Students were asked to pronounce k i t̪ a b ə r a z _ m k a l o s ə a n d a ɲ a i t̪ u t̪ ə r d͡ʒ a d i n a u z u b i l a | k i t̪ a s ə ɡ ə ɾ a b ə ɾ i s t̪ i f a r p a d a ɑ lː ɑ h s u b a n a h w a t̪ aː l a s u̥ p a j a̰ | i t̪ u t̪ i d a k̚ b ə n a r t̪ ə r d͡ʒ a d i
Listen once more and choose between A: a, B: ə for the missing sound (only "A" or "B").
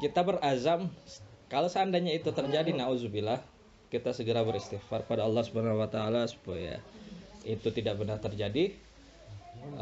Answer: A